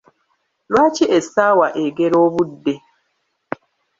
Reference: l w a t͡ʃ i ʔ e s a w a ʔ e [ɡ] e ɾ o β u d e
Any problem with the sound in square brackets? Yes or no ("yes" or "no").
no